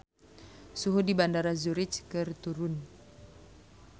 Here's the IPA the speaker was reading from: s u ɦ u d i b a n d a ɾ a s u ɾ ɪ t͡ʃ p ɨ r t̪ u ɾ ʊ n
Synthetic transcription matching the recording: s u ɦ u d i b a n d a ɾ a z u ɾ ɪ t͡ʃ k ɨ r t̪ u ɾ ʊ n